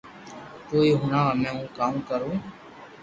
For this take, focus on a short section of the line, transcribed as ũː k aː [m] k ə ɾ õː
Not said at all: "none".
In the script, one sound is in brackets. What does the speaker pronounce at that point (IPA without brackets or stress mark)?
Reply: m